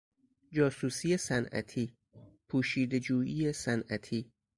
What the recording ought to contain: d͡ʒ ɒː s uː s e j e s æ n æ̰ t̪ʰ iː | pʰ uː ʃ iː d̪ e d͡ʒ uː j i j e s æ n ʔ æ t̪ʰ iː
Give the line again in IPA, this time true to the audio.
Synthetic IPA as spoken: d͡ʒ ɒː s uː s i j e s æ n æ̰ t̪ʰ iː | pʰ uː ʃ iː d̪ e d͡ʒ uː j i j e s æ n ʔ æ t̪ʰ iː